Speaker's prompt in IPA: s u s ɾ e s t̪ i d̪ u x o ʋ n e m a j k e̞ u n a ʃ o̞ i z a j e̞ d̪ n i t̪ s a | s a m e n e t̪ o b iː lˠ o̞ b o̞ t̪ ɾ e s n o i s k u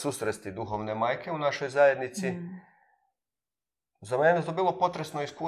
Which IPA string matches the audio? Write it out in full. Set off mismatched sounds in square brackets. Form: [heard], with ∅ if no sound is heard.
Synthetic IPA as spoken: s u s ɾ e s t̪ i d̪ u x o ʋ n e m a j k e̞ u n a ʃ o̞ [j] z a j e̞ d̪ n i t̪ s [i] | [z] a m e n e t̪ o b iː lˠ o̞ [p] o̞ t̪ ɾ e s n o i s k u